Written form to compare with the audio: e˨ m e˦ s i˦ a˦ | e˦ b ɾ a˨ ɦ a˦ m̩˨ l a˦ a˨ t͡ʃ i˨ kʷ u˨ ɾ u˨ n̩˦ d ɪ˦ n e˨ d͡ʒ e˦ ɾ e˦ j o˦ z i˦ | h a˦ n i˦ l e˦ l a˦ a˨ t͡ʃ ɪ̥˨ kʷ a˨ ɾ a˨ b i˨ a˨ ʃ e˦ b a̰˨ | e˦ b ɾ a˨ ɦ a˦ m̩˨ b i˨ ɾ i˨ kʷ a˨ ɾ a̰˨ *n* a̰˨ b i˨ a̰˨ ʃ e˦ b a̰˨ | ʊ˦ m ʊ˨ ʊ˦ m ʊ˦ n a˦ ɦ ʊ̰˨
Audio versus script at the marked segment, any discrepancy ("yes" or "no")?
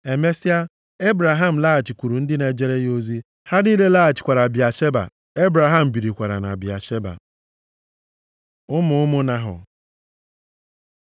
no